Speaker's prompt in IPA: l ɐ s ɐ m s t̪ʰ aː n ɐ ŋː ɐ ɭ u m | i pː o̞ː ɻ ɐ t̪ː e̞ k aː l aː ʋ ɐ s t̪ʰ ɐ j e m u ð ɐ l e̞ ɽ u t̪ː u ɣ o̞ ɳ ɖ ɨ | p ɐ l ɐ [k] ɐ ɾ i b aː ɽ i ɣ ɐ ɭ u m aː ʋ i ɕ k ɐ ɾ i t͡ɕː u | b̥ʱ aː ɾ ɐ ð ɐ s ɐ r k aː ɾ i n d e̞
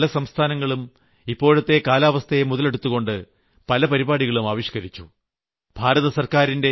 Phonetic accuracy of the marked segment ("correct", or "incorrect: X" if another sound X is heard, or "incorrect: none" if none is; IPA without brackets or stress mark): incorrect: p